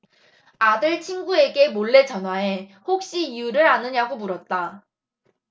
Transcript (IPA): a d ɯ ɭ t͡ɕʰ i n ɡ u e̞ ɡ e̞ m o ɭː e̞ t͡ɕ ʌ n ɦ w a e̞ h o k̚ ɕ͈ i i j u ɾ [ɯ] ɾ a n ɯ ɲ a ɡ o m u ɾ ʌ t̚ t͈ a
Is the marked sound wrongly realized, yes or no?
no